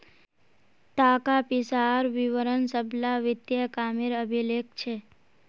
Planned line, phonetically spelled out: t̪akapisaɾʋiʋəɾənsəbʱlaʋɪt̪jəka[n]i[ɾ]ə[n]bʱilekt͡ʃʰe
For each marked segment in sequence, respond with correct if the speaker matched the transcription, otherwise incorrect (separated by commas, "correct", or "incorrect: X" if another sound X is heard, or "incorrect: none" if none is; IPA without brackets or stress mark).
incorrect: m, correct, incorrect: none